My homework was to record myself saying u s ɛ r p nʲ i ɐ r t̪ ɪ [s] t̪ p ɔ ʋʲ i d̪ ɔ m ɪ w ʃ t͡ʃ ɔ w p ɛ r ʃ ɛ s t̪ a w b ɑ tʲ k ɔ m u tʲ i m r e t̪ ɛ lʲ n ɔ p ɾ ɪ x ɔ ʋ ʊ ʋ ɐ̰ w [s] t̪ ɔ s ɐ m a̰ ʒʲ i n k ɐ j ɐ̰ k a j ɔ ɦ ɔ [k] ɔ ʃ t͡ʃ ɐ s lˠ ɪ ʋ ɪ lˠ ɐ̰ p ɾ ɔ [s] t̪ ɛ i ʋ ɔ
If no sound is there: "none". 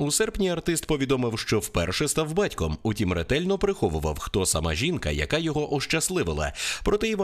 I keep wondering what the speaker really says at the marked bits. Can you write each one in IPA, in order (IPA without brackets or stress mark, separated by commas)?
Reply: s, x, ʔ, none